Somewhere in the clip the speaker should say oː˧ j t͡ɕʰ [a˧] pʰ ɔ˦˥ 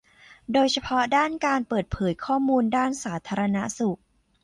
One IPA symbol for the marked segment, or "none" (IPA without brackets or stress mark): a˧